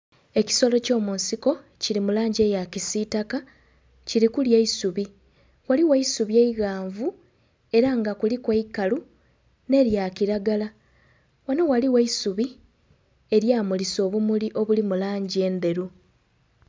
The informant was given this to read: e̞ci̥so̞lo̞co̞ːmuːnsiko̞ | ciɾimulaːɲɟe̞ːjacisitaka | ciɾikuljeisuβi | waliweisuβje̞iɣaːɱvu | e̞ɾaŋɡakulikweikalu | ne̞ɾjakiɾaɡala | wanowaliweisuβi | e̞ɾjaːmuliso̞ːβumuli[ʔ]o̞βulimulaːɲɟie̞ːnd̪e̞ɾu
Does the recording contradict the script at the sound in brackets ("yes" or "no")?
no